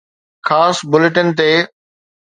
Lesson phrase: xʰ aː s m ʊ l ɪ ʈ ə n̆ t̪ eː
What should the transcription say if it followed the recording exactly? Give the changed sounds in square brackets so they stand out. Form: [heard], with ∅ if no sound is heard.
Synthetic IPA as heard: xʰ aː s [b] ʊ l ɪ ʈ ə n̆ t̪ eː